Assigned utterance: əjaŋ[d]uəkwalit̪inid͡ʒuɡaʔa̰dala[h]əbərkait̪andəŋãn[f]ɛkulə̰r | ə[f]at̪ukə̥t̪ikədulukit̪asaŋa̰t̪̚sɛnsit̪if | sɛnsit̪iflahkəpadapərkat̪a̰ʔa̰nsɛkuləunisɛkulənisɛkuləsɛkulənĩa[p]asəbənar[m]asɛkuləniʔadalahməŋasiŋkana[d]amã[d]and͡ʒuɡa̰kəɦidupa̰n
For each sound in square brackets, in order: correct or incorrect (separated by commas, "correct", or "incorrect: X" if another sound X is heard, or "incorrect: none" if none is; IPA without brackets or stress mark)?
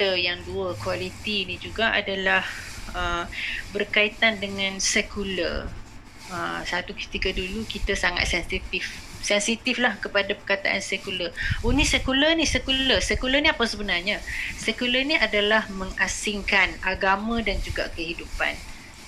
correct, correct, incorrect: s, incorrect: s, correct, incorrect: ɲ, incorrect: ɡ, correct